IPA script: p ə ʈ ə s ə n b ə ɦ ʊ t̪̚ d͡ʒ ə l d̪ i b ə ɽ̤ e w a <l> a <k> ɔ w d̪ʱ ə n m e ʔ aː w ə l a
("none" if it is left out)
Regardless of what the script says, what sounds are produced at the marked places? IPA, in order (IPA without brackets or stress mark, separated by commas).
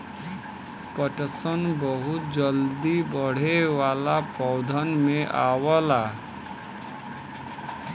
l, p